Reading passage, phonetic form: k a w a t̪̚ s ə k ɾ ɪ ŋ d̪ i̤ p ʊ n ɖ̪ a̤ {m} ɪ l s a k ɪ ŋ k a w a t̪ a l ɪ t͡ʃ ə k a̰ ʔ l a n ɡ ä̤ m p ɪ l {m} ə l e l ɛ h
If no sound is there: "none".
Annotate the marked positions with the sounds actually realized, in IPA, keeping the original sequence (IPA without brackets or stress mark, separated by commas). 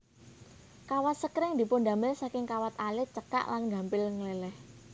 m, ŋ